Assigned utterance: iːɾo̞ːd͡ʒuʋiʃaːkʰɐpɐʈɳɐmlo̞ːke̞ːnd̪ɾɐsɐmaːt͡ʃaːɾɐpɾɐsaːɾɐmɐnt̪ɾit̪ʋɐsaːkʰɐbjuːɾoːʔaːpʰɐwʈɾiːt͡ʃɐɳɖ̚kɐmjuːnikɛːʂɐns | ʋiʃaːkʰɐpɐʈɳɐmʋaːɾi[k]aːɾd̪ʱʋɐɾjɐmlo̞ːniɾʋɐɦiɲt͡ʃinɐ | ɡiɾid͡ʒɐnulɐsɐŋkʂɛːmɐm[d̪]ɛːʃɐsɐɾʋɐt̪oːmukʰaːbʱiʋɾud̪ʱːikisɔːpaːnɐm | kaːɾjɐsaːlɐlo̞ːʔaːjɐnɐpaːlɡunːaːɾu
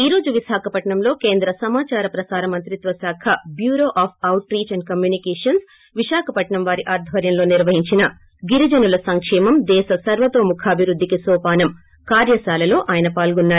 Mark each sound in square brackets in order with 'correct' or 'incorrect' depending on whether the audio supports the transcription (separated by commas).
incorrect, correct